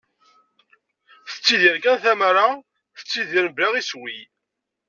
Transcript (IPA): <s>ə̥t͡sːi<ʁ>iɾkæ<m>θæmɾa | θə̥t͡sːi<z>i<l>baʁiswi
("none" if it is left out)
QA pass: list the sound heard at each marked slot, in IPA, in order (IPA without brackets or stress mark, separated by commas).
θ, ð, n, ð, ɾ